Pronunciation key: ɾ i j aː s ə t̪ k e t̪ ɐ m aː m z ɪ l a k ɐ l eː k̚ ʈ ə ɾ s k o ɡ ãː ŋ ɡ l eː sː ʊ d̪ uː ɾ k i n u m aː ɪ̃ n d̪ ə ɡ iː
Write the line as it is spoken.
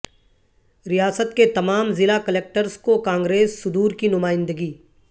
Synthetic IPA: ɾ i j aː s ə t̪ k e t̪ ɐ m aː m z ɪ l a k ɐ l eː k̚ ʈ ə ɾ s k o k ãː ŋ ɡ ɾ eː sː ʊ d̪ uː ɾ k i n ʊ m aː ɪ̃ n d̪ ə ɡ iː